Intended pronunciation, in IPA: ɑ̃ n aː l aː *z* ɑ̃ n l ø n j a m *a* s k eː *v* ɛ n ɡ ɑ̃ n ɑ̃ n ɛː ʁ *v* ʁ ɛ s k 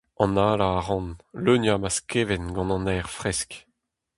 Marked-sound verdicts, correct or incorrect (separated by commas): incorrect, correct, correct, incorrect